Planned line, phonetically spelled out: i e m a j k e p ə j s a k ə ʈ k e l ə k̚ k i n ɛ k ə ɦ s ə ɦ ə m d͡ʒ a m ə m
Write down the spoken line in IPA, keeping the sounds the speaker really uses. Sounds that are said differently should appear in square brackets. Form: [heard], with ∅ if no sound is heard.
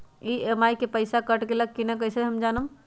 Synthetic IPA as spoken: i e m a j k e p ə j s a k ə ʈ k e l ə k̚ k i n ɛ k ə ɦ s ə ɦ ə m d͡ʒ a [n] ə m